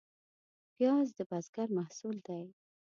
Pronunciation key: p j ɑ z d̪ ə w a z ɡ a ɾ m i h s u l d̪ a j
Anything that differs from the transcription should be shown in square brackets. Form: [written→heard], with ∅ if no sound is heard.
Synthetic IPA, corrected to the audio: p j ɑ z d̪ ə [w→b] a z ɡ a ɾ m [i→a] h s u l d̪ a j